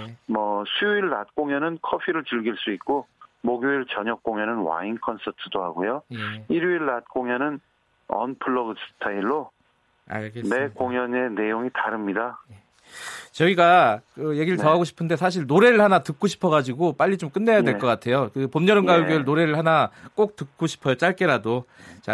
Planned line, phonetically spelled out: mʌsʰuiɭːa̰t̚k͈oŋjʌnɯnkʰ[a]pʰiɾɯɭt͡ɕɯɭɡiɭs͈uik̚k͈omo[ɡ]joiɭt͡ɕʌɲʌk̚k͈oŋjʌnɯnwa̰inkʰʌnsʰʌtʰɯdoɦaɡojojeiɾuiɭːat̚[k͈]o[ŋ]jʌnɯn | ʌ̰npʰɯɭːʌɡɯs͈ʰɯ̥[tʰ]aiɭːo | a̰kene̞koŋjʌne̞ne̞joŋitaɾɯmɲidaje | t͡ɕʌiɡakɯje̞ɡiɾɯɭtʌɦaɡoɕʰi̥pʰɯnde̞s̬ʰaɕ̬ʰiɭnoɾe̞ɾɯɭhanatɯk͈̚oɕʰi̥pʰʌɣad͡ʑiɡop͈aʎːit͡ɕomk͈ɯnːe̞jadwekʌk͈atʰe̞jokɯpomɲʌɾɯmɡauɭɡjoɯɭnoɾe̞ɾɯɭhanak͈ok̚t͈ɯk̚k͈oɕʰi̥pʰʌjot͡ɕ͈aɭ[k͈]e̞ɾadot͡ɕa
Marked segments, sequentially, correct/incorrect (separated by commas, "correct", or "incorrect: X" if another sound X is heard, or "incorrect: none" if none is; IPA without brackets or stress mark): incorrect: ʌ, correct, correct, correct, correct, correct